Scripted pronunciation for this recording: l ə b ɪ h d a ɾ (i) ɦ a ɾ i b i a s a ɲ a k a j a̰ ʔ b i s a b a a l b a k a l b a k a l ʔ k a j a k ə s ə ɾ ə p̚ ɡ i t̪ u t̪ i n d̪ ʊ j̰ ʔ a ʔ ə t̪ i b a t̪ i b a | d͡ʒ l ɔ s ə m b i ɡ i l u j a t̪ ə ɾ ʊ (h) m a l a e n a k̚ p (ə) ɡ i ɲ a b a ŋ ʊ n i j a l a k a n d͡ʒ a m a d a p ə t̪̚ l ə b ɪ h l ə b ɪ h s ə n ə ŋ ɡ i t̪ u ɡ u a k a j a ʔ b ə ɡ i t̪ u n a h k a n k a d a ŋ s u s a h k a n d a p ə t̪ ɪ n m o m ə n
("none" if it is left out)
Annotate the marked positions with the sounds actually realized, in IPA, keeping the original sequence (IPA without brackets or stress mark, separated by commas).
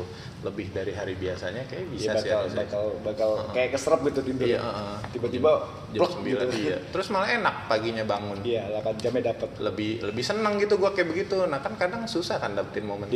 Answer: i, s, a